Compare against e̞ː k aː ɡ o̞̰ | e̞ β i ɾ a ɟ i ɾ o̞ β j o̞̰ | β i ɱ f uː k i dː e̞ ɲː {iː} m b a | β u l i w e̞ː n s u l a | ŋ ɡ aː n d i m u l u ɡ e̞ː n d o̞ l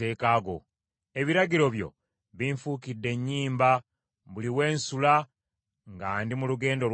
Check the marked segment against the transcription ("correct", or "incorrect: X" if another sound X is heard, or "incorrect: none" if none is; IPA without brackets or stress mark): correct